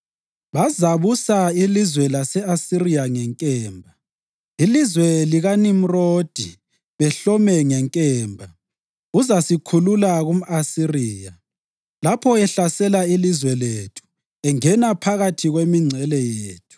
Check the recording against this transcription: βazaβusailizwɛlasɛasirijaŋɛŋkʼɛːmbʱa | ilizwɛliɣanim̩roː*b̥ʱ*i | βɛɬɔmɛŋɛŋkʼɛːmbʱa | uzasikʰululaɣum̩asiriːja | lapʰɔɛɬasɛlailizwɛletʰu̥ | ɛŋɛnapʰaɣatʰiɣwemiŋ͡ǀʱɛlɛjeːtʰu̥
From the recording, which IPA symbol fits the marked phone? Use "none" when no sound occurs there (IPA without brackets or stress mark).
d̥ʱ